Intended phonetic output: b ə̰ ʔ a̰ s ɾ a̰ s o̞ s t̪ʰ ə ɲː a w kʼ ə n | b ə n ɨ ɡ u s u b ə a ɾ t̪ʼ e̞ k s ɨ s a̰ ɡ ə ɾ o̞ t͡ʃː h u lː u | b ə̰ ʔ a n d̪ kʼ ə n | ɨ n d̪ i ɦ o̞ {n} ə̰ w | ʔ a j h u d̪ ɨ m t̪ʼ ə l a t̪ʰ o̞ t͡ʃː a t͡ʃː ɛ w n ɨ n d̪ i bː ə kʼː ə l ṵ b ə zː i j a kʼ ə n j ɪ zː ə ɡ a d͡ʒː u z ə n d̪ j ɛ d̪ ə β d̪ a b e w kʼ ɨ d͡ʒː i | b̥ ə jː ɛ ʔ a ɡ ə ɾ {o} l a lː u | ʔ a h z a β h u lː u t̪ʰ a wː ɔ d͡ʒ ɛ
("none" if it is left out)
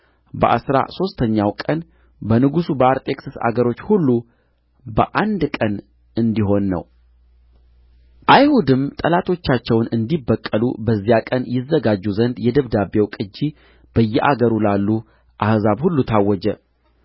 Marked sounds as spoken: nː, u

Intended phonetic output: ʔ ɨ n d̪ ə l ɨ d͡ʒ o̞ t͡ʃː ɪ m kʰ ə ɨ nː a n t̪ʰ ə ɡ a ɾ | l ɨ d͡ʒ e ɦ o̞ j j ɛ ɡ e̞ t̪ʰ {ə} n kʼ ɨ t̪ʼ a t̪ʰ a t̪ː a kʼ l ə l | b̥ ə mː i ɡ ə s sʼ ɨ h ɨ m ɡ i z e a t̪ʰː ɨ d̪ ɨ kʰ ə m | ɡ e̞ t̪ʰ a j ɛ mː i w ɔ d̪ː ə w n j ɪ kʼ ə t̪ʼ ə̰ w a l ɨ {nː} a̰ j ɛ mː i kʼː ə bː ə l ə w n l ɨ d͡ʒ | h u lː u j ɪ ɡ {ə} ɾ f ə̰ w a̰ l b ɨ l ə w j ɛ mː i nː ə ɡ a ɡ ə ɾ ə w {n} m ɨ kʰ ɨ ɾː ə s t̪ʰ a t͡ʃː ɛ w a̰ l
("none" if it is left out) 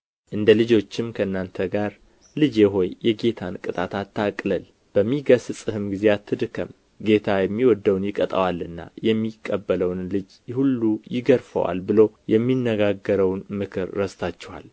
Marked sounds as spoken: a, nː, ə, n

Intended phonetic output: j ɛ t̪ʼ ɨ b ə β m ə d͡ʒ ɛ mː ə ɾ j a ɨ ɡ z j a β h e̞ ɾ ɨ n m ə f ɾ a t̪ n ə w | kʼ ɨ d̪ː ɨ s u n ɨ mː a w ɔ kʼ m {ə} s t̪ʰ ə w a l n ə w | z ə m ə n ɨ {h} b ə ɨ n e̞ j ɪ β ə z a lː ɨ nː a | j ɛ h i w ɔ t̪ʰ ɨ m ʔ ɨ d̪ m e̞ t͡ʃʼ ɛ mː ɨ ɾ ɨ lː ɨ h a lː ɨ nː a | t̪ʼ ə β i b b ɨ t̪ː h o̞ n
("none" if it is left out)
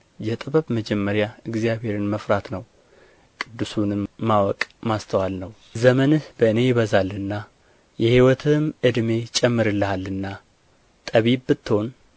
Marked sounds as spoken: a, h

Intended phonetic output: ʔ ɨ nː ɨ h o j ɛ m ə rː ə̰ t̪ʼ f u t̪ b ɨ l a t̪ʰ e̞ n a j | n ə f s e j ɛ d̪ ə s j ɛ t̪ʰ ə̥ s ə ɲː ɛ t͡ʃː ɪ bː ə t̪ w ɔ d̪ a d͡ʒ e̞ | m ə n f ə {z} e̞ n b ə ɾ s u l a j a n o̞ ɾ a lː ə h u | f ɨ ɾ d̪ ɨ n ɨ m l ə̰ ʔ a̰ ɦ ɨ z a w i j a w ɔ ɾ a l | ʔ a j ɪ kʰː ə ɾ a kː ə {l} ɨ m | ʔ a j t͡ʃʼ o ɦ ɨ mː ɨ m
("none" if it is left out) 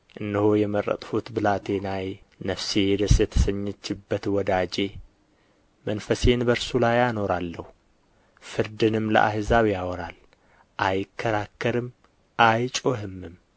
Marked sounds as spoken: s, ɾ

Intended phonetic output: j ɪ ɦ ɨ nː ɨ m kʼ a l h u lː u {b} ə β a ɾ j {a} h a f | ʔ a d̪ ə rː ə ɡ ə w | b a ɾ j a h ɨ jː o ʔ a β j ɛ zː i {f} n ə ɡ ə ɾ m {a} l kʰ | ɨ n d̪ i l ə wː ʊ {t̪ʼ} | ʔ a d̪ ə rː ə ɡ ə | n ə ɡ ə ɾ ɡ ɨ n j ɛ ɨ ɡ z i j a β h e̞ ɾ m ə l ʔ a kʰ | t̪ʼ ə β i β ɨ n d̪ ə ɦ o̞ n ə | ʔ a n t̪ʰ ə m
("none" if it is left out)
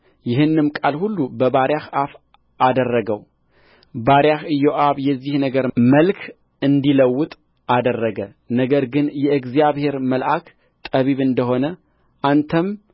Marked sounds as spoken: b, a, h, ə, t̪ʼ

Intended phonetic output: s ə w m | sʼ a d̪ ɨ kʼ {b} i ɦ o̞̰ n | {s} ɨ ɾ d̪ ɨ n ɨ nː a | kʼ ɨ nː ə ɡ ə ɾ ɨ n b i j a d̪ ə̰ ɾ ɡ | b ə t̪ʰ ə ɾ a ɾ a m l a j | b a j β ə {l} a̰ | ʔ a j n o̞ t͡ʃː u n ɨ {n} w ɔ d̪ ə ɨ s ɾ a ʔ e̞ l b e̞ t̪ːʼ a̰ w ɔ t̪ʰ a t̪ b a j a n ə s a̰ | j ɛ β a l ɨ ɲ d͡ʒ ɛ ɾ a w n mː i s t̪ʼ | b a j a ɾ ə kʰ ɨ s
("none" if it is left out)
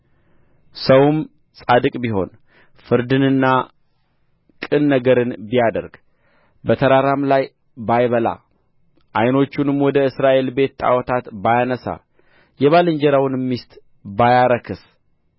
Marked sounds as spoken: b, f, l, m

